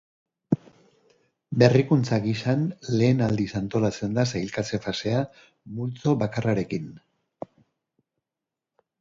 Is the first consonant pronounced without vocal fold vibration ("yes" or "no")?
no